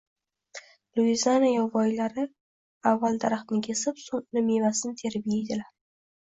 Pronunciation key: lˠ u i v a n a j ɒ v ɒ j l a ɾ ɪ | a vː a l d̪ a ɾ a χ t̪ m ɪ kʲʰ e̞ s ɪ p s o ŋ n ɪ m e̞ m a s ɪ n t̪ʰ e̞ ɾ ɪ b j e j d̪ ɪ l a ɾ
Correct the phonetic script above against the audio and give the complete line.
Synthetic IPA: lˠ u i z a n a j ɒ v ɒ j l a ɾ ɪ | a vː a l d̪ a ɾ a χ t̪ n ɪ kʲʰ e̞ s ɪ p s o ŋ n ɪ m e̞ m a s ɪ n t̪ʰ e̞ ɾ ɪ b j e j d̪ ɪ l a ɾ